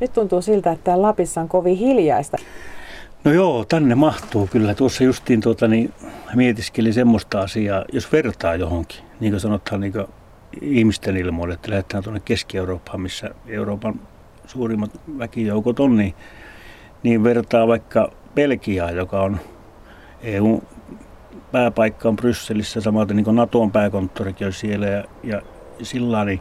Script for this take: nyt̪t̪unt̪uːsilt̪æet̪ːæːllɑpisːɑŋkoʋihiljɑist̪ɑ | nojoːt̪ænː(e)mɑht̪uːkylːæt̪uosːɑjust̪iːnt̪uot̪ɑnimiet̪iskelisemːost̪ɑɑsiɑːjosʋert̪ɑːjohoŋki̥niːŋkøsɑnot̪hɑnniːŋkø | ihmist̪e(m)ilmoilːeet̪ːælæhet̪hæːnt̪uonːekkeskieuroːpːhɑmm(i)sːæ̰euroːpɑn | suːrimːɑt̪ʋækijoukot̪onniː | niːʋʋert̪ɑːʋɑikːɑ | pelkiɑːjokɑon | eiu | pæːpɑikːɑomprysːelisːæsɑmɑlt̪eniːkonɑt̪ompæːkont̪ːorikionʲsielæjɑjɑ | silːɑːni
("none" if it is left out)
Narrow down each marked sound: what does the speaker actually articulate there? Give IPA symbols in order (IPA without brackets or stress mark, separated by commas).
e, n, i